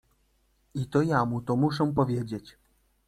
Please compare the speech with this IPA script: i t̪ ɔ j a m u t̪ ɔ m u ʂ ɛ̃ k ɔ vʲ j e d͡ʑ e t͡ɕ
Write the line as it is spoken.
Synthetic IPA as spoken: i t̪ ɔ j a m u t̪ ɔ m u ʂ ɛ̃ p ɔ vʲ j e d͡ʑ e t͡ɕ